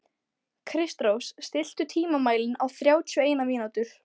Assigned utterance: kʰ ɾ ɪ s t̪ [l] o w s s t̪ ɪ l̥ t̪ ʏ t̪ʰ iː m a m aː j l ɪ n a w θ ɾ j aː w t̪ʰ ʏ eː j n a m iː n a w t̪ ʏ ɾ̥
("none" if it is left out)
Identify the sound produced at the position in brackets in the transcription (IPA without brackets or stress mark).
ɾ